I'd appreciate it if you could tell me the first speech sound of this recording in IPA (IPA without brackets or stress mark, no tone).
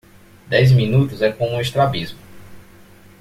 d̪